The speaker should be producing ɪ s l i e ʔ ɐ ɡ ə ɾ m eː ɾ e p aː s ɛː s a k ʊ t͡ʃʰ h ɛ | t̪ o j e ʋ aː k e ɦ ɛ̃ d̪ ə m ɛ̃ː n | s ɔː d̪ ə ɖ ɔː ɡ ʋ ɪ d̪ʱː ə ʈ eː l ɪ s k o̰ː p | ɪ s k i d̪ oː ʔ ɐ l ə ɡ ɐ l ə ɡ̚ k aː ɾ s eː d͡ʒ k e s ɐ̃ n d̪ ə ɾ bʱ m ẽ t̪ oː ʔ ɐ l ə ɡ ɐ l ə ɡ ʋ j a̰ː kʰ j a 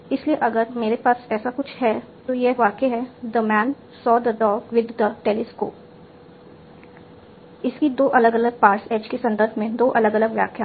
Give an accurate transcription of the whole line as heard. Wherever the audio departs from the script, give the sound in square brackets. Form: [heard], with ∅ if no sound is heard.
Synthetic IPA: ɪ s l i e ʔ ɐ ɡ ə ɾ m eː ɾ e p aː s ɛː s a k ʊ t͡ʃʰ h ɛ | t̪ o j e ʋ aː k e ɦ [ɛ] d̪ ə m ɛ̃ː n | s ɔː d̪ ə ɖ ɔː ɡ ʋ ɪ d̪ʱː ə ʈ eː l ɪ s k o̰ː p | ɪ s k i d̪ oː ʔ ɐ l ə ɡ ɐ l ə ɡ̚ [p] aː ɾ s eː d͡ʒ k e s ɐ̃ n d̪ ə ɾ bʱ m ẽ [d̪] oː ʔ ɐ l ə ɡ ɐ l ə ɡ ʋ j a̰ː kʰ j a